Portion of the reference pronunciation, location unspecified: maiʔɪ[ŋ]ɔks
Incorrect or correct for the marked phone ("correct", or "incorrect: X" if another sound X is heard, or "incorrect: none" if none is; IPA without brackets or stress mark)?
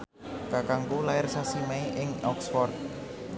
correct